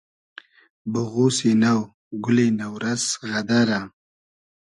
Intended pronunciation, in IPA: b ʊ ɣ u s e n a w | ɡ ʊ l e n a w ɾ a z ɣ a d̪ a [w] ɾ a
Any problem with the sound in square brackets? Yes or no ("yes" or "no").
yes